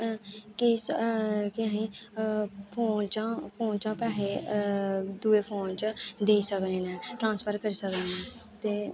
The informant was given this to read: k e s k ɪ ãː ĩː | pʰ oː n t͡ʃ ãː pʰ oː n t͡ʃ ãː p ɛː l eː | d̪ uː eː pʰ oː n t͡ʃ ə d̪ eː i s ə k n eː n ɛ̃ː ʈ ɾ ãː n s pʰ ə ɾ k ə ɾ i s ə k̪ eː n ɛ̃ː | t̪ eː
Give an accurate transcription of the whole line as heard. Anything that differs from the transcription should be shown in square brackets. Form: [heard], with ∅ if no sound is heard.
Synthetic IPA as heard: k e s k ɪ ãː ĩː | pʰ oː n t͡ʃ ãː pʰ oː n t͡ʃ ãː p ɛː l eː | d̪ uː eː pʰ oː n t͡ʃ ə d̪ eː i s ə k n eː n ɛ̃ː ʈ ɾ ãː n s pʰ ə ɾ k ə ɾ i s ə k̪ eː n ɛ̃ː | t̪ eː